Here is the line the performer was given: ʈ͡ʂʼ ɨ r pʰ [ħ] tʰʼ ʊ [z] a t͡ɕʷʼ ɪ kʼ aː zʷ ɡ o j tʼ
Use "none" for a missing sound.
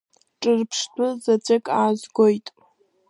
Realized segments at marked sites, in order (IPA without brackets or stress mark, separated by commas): ʂ, z